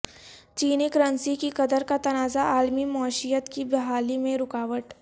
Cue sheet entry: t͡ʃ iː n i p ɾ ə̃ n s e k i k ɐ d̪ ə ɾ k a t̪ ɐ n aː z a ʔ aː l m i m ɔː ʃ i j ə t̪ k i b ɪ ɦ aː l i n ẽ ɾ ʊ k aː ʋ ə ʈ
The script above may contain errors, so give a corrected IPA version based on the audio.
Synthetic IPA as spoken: t͡ʃ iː n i k ɾ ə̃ n s i k i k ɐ d̪ ə ɾ k a t̪ ɐ n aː z a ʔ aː l m i m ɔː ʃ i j ə t̪ k i b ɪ ɦ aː l i m ẽ ɾ ʊ k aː ʋ ə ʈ